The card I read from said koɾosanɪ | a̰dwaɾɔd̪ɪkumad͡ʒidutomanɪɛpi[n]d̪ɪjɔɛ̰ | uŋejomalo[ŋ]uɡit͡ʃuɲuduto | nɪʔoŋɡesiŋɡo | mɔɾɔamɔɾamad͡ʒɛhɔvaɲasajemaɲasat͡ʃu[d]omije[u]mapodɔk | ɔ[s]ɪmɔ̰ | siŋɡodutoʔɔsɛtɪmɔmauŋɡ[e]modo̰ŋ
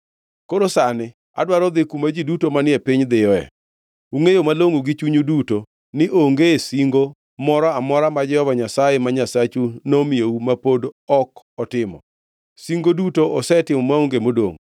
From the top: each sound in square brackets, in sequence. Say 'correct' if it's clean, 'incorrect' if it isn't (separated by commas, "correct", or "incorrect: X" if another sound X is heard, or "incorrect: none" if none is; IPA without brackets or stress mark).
incorrect: ɲ, correct, incorrect: n, correct, incorrect: t, correct